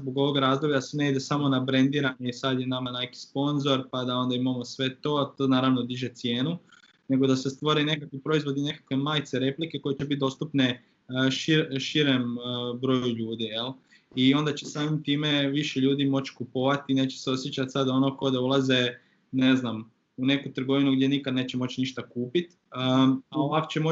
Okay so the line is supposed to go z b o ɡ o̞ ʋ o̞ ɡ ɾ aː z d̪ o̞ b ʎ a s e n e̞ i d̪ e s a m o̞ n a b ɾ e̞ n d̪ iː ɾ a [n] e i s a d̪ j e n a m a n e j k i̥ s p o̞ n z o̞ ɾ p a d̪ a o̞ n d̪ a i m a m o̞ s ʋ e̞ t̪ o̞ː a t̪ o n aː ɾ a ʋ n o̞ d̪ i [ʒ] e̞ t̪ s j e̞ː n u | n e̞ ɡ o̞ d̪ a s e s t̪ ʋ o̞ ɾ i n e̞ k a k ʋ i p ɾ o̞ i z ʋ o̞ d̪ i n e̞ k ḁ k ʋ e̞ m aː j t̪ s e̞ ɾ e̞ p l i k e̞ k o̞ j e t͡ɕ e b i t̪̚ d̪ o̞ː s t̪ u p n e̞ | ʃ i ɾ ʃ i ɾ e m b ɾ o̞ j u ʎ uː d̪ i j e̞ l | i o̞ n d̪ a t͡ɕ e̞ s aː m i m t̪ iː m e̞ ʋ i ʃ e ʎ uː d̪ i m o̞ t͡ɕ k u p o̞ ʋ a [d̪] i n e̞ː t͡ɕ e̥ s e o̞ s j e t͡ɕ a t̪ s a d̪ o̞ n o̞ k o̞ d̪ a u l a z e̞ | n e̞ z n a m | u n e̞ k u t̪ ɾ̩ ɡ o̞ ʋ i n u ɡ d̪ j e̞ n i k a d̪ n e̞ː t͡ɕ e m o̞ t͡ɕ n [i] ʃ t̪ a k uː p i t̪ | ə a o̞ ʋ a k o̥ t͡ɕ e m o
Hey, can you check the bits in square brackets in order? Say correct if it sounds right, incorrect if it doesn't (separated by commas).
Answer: incorrect, correct, incorrect, correct